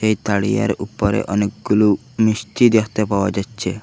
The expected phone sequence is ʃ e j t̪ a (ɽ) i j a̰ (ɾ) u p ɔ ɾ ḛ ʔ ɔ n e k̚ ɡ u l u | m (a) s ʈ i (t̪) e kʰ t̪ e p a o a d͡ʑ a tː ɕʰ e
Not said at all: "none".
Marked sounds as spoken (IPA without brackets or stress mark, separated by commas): ɽ, ɾ, i, d̪